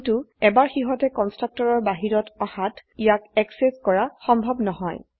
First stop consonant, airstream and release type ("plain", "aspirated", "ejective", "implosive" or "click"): plain